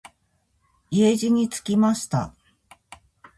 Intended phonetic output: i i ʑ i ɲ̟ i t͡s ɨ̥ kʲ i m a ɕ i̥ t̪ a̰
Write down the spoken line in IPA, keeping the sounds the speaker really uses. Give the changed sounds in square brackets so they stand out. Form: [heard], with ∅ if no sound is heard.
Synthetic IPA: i [e] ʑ i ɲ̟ i t͡s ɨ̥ kʲ i m a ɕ i̥ t̪ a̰